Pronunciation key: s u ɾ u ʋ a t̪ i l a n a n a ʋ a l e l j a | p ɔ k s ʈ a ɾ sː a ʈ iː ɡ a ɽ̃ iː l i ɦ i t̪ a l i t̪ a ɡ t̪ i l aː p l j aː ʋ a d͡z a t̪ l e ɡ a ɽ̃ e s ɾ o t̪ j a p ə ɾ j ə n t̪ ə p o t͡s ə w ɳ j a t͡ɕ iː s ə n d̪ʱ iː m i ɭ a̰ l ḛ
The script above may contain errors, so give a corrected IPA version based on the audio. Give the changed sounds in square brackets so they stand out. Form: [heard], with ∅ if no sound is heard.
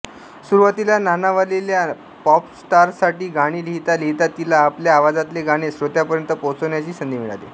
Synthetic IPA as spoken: s u ɾ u ʋ a t̪ i l a n a n a ʋ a l e l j a | p ɔ [p] s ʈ a ɾ [s] a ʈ iː ɡ a ɽ̃ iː l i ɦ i t̪ a l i t̪ a [∅] t̪ i l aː p l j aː ʋ a d͡z a t̪ l e ɡ a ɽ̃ e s ɾ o t̪ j a p ə ɾ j ə n t̪ ə p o t͡s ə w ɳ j a t͡ɕ iː s ə n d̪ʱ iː m i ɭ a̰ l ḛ